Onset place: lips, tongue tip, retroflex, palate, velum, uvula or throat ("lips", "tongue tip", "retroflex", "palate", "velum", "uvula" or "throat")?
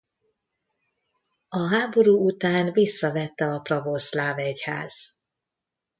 throat